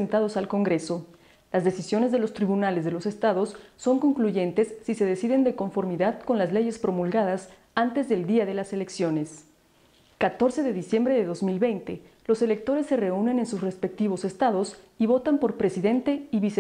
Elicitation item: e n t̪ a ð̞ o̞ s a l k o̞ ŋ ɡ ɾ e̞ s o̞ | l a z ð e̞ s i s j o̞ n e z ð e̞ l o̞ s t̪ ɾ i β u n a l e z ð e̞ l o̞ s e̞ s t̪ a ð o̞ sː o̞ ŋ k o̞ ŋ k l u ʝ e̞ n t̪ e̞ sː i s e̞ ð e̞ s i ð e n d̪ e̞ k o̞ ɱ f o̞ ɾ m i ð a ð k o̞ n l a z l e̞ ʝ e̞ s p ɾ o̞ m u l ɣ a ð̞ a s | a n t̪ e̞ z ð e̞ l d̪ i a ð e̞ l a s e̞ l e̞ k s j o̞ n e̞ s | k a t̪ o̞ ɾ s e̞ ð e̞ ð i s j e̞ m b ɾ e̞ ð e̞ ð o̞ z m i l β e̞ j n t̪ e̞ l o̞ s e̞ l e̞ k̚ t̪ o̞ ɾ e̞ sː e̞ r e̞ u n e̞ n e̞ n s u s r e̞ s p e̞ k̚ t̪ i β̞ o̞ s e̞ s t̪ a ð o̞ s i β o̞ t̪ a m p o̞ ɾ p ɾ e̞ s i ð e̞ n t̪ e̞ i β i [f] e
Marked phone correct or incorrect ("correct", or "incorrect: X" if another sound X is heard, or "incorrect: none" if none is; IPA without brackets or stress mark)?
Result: incorrect: s